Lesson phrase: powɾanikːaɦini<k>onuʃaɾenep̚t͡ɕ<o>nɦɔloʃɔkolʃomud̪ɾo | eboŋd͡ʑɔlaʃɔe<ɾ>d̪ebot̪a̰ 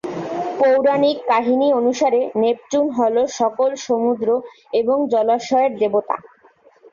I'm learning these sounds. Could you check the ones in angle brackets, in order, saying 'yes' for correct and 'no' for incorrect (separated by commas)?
no, no, yes